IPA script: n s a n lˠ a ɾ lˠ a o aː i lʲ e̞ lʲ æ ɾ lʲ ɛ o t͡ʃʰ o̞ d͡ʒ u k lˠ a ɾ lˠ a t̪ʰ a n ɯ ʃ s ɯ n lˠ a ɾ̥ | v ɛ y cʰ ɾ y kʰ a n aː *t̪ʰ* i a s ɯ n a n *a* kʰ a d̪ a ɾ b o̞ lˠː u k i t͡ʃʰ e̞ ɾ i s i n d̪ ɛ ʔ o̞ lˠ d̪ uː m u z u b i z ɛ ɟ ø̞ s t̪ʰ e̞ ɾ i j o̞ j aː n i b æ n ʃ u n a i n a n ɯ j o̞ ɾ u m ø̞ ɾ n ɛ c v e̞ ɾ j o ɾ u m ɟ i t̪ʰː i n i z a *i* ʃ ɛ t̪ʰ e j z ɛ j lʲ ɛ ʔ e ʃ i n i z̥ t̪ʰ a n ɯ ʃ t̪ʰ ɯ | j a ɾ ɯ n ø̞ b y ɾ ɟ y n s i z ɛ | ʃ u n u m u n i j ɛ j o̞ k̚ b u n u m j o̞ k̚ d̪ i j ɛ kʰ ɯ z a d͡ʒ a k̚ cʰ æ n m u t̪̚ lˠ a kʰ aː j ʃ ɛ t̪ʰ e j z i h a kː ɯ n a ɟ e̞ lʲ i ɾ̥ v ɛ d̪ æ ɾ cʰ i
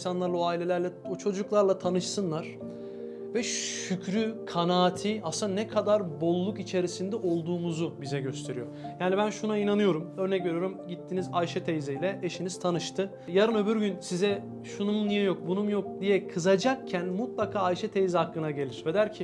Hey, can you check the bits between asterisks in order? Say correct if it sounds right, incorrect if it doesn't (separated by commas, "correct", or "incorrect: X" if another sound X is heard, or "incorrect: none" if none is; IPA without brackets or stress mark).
correct, incorrect: ɛ, incorrect: j